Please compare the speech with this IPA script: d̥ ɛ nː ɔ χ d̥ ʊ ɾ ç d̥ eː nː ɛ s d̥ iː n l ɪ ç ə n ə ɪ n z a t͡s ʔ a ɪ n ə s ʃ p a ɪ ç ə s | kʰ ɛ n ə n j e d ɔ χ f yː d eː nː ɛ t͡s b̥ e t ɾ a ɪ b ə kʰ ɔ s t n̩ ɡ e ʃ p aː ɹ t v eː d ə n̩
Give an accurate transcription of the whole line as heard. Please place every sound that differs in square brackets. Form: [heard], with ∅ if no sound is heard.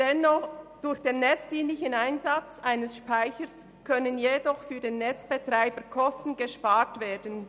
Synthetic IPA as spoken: d̥ ɛ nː ɔ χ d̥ ʊ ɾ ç d̥ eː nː ɛ [t͡s] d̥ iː n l ɪ ç ə n [a] ɪ n z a t͡s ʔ a ɪ n ə s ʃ p a ɪ ç ə s | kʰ [œ] n ə n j e d ɔ χ f yː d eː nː ɛ t͡s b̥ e t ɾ a ɪ b ə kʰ ɔ s t n̩ ɡ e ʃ p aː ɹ t v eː d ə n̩